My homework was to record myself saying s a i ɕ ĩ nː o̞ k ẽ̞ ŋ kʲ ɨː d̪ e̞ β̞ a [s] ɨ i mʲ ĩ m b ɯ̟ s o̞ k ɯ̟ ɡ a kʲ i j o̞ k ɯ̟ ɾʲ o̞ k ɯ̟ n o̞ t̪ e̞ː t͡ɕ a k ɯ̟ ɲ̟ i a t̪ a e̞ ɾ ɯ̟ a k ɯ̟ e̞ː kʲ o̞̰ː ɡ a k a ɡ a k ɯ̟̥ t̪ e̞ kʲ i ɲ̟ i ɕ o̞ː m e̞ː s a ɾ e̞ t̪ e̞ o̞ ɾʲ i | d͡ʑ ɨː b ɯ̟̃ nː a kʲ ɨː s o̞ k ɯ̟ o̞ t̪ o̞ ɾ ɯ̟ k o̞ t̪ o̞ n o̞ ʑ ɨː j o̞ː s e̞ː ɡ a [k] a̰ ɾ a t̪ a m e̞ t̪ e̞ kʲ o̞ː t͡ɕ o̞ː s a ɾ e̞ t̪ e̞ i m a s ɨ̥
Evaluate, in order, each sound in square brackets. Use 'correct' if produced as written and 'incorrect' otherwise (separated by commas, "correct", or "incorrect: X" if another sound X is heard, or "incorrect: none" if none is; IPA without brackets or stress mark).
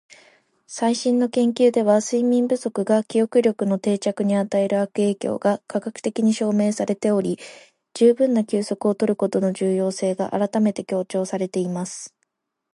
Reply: correct, incorrect: ʔ